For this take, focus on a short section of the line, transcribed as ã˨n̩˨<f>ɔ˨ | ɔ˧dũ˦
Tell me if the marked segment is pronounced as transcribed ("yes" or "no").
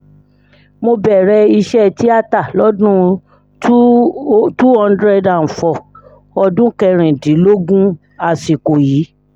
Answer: yes